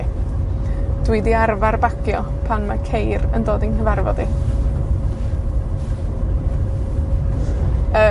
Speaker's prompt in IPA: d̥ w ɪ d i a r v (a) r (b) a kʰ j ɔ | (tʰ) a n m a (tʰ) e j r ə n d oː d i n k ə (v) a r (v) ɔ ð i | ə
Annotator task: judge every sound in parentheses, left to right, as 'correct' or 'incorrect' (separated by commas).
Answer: correct, correct, incorrect, incorrect, correct, correct